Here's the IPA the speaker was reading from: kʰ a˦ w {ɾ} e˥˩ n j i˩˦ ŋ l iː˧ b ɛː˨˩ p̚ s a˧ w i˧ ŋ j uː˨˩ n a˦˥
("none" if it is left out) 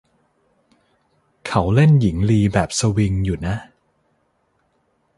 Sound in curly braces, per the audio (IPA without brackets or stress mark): l